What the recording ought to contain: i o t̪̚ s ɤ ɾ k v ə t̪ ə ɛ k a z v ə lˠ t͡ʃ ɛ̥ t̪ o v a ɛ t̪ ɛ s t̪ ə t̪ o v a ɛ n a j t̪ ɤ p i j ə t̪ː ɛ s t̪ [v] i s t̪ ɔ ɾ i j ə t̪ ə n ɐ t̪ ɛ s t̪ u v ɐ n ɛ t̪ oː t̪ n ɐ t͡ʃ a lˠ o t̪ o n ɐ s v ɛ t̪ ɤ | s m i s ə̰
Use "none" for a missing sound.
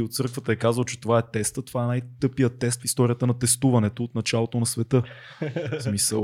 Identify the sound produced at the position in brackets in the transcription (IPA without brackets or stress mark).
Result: f